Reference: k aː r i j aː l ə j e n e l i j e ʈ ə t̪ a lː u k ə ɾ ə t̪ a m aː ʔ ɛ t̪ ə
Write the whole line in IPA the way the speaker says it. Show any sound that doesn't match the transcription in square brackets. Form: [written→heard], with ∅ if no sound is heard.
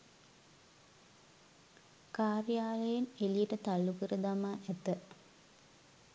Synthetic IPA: k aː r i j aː l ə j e n e l i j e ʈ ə t̪ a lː u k ə ɾ ə [t̪→d̪] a m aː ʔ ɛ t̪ ə